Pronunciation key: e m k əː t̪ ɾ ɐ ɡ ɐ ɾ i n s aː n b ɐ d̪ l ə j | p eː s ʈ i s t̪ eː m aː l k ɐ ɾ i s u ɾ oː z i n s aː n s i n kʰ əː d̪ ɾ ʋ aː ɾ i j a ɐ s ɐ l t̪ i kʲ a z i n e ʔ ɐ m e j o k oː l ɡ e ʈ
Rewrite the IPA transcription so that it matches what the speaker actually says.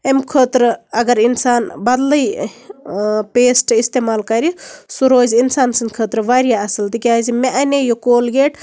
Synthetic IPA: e m kʰ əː t̪ ɾ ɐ ɡ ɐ ɾ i n s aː n b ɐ d̪ l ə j | p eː s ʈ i s t̪ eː m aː l k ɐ ɾ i s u ɾ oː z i n s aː n s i n kʰ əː t̪ ɾ ʋ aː ɾ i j a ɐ s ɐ l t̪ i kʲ a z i m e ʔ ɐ n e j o k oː l ɡ e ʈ

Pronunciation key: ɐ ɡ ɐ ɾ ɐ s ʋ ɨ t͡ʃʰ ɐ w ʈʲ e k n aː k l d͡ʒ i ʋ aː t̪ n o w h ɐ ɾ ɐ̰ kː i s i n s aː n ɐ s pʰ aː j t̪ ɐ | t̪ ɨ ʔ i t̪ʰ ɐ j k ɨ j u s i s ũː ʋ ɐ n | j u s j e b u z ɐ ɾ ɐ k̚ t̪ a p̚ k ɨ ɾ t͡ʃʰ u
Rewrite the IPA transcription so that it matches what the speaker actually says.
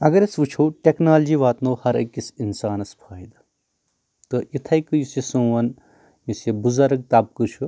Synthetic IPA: ɐ ɡ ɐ ɾ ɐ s ʋ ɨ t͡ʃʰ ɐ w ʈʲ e k n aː l d͡ʒ i ʋ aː t̪ n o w h ɐ ɾ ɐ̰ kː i s i n s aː n ɐ s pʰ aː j d̪ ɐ | t̪ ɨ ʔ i t̪ʰ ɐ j k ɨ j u s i s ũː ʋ ɐ n | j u s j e b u z ɐ ɾ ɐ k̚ t̪ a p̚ k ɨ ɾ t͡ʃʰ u

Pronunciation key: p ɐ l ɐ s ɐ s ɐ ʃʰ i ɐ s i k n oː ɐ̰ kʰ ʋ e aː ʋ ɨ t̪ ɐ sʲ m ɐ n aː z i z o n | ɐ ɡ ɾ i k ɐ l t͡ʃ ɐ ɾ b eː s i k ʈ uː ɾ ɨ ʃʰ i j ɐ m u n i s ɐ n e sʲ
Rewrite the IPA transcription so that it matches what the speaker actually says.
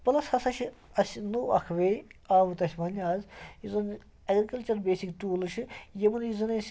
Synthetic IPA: p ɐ l ɐ s ɐ s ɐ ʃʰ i ɐ s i n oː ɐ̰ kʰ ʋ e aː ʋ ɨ t̪ ɐ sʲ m ɐ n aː z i z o n | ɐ ɡ ɾ i k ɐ l t͡ʃ ɐ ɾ b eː s i k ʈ uː l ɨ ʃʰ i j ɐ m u n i z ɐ n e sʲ

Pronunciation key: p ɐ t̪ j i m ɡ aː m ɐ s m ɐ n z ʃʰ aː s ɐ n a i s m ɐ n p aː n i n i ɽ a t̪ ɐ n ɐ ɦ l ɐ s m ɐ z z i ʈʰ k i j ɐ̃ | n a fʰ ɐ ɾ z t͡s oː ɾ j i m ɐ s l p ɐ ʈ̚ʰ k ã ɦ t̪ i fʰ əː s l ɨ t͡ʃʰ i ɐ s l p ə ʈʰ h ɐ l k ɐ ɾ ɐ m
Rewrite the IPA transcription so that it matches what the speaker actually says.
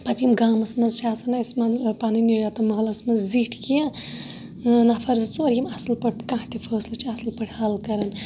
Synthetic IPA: p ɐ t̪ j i m ɡ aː m ɐ s m ɐ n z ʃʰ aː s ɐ n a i s m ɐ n p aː n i n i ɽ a t̪ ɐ m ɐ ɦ l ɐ s m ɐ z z i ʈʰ k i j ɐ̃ | n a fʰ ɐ ɾ z t͡s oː ɾ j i m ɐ s l p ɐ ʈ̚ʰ k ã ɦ t̪ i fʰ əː s l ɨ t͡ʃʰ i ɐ s l p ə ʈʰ h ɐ l k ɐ ɾ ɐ n

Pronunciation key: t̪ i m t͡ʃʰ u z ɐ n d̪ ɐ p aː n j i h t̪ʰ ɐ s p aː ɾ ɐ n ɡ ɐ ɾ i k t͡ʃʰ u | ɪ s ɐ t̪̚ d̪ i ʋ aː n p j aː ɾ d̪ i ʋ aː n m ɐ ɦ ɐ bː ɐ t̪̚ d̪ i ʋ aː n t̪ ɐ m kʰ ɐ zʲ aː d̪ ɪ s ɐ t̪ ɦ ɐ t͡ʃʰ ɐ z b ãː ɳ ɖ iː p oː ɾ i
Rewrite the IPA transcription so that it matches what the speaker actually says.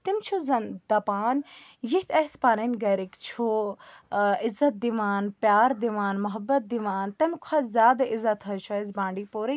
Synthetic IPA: t̪ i m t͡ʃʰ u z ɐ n d̪ ɐ p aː n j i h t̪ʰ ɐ s p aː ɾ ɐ n ɡ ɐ ɾ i k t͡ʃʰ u | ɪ z ɐ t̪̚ d̪ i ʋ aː n p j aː ɾ d̪ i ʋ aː n m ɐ ɦ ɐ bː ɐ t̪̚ d̪ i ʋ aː n t̪ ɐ m kʰ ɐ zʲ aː d̪ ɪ z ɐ t̪ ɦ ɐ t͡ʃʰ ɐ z b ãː ɳ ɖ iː p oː ɾ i

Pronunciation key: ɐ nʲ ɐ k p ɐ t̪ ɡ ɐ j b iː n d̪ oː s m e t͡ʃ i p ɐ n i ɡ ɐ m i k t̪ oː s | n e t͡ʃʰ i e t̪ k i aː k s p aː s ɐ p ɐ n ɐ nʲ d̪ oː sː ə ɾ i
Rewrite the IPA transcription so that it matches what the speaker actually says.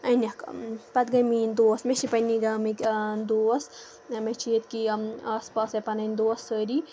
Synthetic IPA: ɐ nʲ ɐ k p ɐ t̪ ɡ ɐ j m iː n d̪ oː s m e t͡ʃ i p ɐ n i ɡ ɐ m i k d̪ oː s | m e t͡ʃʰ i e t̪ k i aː s p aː s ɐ p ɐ n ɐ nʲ d̪ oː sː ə ɾ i

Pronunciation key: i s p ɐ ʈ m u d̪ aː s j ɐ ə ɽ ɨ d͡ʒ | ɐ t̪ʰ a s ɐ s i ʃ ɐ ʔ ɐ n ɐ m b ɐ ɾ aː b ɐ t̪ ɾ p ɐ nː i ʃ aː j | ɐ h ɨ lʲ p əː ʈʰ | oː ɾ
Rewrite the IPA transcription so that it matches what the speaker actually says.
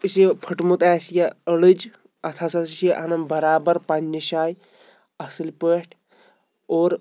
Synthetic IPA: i s pʰ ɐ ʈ m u t̪ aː s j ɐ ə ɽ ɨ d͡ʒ | ɐ t̪ʰ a s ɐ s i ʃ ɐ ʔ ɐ n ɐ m b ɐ ɾ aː b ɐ ɾ p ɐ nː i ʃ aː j | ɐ s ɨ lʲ p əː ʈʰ | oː ɾ

